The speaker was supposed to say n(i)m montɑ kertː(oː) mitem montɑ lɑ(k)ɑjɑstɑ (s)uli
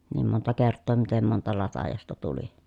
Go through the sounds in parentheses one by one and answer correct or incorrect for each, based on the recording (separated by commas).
incorrect, correct, incorrect, incorrect